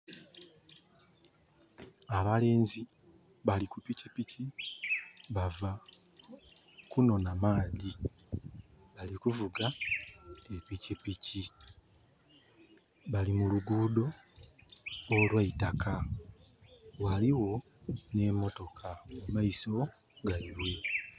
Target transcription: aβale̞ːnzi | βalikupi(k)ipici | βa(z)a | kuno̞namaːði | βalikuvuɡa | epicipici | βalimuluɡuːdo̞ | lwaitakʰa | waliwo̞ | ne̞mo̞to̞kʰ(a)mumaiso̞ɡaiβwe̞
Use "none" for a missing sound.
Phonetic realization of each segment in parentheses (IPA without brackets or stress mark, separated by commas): c, v, a